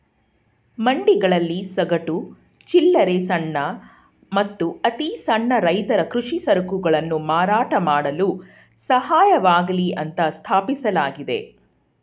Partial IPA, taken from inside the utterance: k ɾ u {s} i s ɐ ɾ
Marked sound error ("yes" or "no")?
yes